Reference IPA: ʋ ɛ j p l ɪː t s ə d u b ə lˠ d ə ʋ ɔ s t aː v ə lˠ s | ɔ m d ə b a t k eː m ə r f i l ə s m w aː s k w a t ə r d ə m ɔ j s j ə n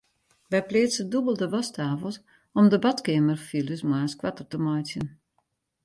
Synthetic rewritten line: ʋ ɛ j p l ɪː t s ə d u b ə lˠ d ə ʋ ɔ s t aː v ə lˠ s | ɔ m d ə b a t k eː m ə r f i l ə s m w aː s k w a t ə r t ə m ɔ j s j ə n